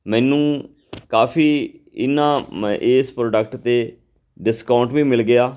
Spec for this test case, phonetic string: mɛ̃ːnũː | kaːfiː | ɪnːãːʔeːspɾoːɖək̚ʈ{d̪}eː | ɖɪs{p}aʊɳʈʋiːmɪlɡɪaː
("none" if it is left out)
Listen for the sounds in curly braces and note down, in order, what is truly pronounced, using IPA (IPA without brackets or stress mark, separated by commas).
t̪, k